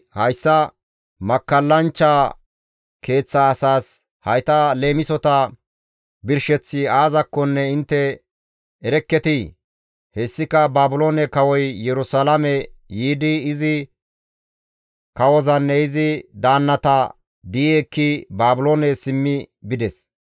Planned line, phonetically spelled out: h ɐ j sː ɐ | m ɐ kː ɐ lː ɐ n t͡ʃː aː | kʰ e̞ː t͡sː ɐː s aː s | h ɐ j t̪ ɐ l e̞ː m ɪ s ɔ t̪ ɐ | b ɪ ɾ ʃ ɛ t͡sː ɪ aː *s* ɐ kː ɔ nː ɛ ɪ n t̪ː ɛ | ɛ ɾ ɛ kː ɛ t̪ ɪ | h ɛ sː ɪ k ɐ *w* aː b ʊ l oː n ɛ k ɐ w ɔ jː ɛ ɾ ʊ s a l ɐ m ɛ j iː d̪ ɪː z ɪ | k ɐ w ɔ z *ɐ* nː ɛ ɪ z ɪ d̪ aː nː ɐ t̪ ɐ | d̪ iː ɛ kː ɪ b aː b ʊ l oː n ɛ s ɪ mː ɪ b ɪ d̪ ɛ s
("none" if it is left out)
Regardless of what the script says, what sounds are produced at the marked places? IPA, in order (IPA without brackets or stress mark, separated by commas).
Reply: z, b, ɐ